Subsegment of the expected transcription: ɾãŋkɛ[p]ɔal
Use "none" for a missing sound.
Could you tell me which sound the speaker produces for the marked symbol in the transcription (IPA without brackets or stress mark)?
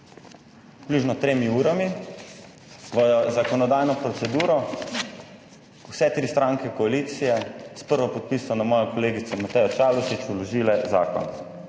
k